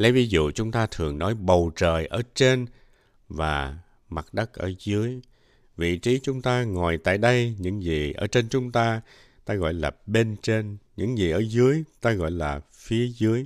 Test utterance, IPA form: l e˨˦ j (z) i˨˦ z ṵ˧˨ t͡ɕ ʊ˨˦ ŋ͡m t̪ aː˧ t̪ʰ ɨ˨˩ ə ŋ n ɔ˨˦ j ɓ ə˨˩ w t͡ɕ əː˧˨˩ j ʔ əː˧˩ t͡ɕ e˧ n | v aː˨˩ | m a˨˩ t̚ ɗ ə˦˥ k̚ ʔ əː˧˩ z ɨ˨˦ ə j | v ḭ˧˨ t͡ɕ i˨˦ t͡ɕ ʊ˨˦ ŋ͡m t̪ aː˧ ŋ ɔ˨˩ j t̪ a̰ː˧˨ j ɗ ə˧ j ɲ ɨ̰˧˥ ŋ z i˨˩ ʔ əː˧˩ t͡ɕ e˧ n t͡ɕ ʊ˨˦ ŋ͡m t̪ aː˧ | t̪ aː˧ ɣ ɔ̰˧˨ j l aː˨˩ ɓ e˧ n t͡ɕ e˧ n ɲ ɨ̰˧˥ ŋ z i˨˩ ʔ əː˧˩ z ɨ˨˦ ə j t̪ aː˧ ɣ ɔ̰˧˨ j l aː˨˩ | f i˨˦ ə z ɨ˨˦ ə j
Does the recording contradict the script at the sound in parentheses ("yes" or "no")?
yes